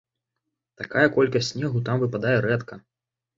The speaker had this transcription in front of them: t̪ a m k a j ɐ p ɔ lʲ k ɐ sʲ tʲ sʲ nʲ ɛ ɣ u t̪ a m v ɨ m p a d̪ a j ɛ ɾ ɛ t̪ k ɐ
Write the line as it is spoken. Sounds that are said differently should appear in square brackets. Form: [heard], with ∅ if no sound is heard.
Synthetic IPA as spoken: t̪ a [∅] k a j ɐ [k] ɔ lʲ k ɐ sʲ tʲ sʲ nʲ ɛ ɣ u t̪ a m v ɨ [∅] p a d̪ a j ɛ ɾ ɛ t̪ k ɐ

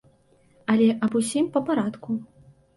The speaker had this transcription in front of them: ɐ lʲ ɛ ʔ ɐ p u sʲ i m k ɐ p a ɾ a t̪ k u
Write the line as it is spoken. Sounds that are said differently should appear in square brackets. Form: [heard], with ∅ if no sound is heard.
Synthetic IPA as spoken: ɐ lʲ ɛ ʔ ɐ [b] u sʲ i m [p] ɐ p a ɾ a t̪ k u

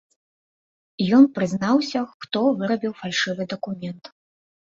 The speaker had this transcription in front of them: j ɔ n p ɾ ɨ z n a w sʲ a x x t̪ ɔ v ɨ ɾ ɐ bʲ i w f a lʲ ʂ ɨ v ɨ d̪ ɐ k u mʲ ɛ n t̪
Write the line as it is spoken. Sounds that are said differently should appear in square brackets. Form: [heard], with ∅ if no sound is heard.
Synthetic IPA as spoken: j ɔ n p ɾ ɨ z n a w sʲ [ɐ] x x t̪ ɔ v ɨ ɾ ɐ bʲ i w f a lʲ ʂ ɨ v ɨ d̪ ɐ k u mʲ ɛ n t̪

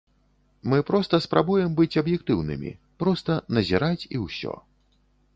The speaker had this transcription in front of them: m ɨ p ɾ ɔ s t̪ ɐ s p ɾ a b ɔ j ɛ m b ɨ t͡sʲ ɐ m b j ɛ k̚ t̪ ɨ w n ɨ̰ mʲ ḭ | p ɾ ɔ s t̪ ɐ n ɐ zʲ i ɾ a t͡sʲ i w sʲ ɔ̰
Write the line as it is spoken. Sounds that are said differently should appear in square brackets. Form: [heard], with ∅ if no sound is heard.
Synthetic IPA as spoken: m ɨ p ɾ ɔ s t̪ ɐ s p ɾ a b [u] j ɛ m b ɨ t͡sʲ ɐ [∅] b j ɛ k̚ t̪ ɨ w n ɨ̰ mʲ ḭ | p ɾ ɔ s t̪ ɐ n ɐ zʲ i ɾ a t͡sʲ i w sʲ ɔ̰

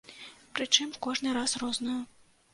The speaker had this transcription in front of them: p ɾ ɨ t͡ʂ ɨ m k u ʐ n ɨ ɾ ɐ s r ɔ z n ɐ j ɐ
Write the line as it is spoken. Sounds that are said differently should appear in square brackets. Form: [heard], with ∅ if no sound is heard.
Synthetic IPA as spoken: p ɾ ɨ t͡ʂ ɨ m k [ɔ] ʐ n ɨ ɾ [a] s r ɔ z n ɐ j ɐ

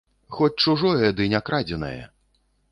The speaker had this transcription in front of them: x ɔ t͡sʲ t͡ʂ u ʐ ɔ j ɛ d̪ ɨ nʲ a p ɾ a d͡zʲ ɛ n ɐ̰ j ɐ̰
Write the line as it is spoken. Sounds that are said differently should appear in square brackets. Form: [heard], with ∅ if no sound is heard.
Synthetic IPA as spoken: x ɔ t͡sʲ t͡ʂ u ʐ ɔ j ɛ d̪ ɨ nʲ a [k] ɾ a d͡zʲ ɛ n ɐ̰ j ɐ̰

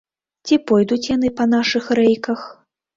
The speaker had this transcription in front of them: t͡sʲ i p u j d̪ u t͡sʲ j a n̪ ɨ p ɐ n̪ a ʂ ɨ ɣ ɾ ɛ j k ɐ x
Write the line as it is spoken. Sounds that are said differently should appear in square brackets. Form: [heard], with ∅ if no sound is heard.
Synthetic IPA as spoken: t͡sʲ i p [ɔ] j d̪ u t͡sʲ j a n̪ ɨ p ɐ n̪ a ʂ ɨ [x] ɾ ɛ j k ɐ x

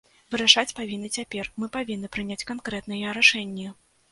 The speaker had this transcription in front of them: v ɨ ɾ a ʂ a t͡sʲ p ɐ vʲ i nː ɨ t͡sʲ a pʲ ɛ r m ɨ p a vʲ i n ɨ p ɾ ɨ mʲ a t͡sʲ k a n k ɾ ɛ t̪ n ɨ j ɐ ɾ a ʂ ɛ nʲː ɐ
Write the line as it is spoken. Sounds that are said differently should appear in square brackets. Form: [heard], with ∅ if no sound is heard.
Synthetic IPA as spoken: v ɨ ɾ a ʂ a t͡sʲ p [a] vʲ i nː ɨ t͡sʲ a pʲ ɛ r m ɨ p a vʲ i [nː] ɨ p ɾ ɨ [nʲ] a t͡sʲ k a n k ɾ ɛ t̪ n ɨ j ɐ ɾ a ʂ ɛ nʲː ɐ

